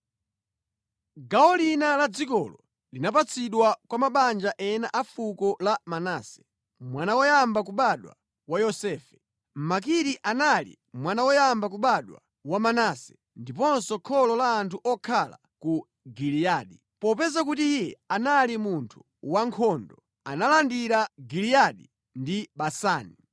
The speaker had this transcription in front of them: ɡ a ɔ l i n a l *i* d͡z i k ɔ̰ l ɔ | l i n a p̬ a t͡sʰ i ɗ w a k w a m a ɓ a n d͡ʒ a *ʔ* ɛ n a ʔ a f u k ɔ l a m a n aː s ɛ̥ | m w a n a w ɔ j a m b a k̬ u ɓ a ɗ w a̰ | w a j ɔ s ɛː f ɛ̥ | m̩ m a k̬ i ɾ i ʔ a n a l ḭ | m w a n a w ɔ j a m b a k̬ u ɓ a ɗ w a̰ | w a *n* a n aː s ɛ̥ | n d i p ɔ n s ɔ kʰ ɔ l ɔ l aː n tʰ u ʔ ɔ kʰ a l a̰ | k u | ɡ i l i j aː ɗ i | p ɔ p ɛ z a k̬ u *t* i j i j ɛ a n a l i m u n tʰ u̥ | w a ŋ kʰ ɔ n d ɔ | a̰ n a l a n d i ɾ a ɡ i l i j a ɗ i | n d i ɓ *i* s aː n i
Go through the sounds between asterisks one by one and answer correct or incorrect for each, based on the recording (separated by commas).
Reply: incorrect, correct, incorrect, correct, incorrect